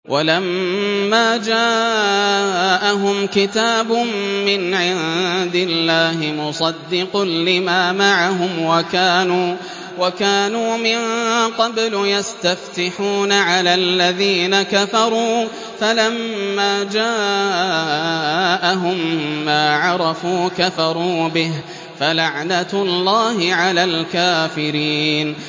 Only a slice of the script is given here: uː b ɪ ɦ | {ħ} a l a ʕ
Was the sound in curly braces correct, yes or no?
no